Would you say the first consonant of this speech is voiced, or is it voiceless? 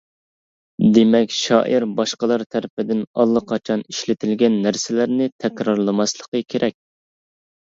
voiced